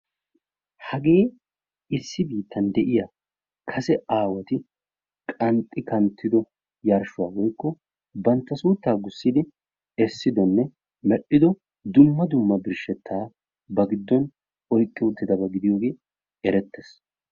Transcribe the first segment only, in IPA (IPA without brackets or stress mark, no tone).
h